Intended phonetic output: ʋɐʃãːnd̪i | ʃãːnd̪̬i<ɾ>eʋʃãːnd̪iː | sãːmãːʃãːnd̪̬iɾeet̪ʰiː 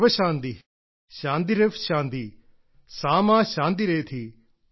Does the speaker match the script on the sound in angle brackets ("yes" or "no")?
yes